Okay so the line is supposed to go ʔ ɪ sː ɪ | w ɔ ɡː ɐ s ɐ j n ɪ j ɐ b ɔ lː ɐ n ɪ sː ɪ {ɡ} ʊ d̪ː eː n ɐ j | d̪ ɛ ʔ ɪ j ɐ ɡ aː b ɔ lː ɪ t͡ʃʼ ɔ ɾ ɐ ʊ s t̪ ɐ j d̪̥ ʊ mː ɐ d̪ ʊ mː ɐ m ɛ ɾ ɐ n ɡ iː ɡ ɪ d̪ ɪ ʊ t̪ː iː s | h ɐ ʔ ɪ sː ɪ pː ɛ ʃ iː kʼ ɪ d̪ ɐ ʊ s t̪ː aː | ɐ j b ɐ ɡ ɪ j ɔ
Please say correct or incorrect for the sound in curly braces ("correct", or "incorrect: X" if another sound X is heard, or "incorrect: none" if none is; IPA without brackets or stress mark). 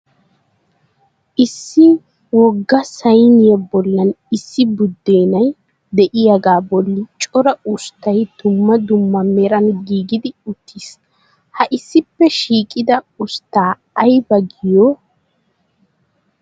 incorrect: b